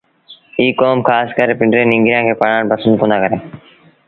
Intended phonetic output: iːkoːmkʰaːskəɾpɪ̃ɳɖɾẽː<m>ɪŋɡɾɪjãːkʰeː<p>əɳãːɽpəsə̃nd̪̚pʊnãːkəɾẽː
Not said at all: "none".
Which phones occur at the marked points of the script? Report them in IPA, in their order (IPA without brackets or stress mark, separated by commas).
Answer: n, p